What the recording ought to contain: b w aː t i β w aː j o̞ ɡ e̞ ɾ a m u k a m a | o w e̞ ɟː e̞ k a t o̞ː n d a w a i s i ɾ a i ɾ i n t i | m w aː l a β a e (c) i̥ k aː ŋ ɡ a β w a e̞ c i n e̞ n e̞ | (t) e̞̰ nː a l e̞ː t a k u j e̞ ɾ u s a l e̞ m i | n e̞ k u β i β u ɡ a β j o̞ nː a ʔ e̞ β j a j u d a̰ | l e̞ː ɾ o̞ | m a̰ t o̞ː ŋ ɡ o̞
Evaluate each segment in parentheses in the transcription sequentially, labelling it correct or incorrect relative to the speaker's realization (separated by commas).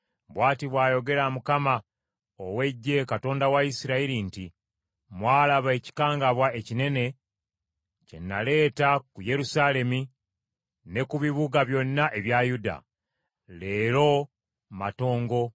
correct, incorrect